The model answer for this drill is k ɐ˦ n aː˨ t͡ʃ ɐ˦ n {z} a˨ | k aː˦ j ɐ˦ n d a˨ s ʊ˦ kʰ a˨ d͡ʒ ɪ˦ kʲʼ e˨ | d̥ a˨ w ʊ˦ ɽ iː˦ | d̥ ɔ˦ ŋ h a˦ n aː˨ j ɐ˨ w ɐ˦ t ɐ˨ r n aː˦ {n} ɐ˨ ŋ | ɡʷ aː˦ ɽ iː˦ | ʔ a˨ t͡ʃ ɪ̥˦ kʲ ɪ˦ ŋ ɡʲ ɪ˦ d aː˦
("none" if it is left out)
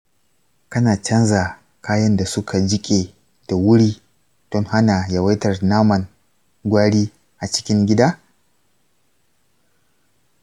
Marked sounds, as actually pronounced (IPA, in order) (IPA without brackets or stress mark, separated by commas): z, m